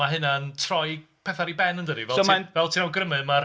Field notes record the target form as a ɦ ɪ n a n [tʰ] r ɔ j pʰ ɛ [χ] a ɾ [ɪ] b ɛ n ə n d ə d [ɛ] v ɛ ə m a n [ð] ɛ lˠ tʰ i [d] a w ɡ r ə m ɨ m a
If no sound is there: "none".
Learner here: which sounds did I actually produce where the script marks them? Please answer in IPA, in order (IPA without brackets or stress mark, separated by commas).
tʰ, θ, i, i, v, n